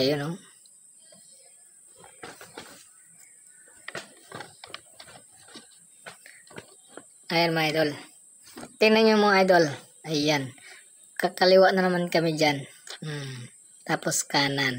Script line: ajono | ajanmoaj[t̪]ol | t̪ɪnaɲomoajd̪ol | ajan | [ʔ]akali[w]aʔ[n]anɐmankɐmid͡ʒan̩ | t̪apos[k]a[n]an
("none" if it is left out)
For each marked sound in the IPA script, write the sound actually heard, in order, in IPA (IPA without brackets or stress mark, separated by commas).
d̪, k, w, n, k, n